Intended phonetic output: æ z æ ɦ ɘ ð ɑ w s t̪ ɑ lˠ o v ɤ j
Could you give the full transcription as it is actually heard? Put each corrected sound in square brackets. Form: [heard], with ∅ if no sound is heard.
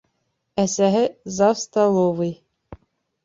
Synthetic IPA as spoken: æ [s] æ ɦ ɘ [z] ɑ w s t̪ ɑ lˠ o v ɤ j